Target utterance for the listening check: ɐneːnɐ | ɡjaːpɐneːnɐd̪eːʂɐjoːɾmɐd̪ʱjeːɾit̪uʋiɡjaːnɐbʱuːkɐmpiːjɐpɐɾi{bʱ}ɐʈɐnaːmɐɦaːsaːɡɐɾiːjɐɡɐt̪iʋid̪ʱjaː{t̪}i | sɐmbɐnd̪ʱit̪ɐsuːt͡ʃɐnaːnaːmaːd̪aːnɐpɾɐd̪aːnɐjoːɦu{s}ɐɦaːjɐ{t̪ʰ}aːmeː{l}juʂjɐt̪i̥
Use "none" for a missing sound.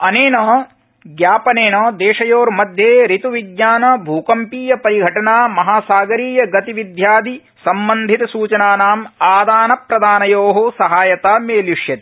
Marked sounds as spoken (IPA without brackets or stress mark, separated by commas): ɡʱ, d̪, s, t̪, l